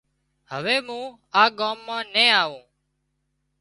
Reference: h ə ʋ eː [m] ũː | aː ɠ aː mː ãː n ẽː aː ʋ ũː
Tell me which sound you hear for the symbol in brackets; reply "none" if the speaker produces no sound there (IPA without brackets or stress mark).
m